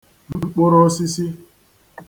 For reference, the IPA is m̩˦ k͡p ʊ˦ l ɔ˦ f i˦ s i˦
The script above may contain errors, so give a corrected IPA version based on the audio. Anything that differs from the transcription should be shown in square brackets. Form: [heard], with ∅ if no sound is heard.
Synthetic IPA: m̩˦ k͡p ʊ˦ [ɾ] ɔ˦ [s] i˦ s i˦

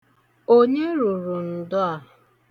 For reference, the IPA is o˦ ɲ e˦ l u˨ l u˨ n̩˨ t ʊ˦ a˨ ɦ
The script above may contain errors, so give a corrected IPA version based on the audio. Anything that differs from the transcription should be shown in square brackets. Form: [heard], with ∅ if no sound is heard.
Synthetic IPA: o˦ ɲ e˦ [ɾ] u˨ [ɾ] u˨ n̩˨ [d] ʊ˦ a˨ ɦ

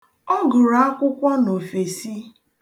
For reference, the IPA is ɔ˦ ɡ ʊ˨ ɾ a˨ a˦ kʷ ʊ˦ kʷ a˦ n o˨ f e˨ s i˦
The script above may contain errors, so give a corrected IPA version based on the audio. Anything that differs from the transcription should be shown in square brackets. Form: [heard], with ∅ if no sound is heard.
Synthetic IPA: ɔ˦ ɡ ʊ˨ ɾ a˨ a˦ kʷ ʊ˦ kʷ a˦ n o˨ f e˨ s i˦

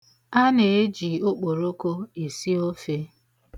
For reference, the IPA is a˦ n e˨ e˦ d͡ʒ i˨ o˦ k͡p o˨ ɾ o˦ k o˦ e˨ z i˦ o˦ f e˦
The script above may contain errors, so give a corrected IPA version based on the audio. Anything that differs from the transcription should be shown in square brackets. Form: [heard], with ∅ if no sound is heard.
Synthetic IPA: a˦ n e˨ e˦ d͡ʒ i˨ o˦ k͡p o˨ ɾ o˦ k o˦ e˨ [s] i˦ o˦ f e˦

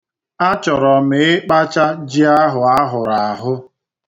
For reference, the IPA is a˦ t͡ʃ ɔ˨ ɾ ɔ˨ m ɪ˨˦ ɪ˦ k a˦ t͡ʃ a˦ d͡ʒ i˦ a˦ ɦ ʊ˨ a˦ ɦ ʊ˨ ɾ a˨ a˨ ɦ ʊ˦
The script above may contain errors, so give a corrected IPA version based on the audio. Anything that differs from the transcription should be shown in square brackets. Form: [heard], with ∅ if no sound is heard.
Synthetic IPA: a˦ t͡ʃ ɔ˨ ɾ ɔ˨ m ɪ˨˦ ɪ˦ [k͡p] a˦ t͡ʃ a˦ d͡ʒ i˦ a˦ ɦ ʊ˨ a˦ ɦ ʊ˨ ɾ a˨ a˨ ɦ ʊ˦

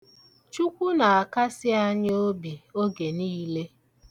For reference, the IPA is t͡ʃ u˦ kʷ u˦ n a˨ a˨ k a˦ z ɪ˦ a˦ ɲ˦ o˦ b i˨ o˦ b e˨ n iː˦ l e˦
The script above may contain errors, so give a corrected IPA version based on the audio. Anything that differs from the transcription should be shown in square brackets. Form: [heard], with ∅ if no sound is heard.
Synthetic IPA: t͡ʃ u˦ kʷ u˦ n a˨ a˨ k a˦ [s] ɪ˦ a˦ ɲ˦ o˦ b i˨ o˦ [ɡ] e˨ n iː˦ l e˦

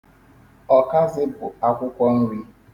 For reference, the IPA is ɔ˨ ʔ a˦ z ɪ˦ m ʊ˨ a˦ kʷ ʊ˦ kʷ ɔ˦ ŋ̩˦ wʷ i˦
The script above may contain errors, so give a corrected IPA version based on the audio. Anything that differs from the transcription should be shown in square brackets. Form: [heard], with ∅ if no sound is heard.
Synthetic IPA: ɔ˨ [k] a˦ z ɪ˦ [b] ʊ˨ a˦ kʷ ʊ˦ kʷ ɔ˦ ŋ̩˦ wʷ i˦

